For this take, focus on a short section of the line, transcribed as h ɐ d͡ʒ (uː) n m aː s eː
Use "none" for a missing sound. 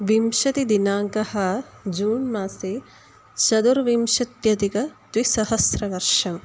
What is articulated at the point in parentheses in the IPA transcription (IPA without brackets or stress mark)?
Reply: uː